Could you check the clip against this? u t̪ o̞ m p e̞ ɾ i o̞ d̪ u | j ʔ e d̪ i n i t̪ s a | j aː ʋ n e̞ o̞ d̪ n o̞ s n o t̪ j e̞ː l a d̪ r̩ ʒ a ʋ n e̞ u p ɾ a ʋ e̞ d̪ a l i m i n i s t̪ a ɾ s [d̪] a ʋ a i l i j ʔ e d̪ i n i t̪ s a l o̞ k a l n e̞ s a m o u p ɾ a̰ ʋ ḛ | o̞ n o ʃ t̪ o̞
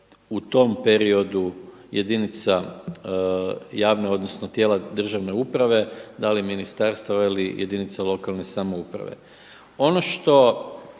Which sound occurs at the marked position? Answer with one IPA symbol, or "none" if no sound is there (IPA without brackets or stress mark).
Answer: t̪